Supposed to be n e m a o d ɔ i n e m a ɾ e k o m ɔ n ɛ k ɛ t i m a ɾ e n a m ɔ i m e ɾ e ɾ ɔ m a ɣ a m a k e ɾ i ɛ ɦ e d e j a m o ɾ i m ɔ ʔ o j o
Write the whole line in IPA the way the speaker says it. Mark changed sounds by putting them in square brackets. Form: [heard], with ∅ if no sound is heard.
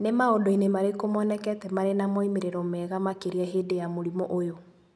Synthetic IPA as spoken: n e m a o d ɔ i n e m a ɾ e k o m ɔ n ɛ k ɛ t [ɛ] m a ɾ e n a m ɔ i m e ɾ e ɾ ɔ m [ɛ] ɣ a m a k e ɾ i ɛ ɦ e d e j a m o ɾ i m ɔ ʔ o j o